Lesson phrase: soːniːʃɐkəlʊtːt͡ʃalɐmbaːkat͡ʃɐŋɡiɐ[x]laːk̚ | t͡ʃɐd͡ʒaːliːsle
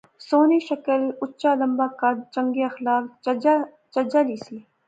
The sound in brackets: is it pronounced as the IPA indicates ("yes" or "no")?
yes